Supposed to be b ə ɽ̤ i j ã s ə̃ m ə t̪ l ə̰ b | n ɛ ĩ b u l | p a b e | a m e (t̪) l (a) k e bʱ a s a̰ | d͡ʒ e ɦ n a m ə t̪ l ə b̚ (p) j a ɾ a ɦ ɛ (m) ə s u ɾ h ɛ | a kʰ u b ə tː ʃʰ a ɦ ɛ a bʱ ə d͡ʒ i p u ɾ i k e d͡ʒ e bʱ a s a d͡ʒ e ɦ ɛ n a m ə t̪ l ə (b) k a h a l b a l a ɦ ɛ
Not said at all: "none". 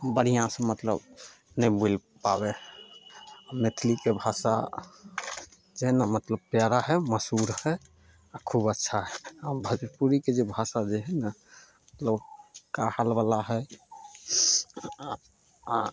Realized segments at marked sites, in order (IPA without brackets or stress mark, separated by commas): t̪ʰ, i, p, m, b